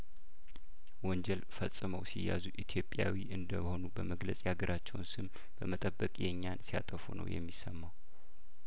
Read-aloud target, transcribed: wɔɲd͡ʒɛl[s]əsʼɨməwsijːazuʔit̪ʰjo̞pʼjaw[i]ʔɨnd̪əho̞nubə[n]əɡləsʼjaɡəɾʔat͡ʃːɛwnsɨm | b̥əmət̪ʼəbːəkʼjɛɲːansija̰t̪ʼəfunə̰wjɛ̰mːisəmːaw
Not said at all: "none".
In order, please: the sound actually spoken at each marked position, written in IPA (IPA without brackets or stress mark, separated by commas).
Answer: f, i, m